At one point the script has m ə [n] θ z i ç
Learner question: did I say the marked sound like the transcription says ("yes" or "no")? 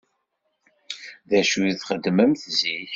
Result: no